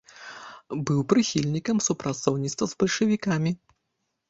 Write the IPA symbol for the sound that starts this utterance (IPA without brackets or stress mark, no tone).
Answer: b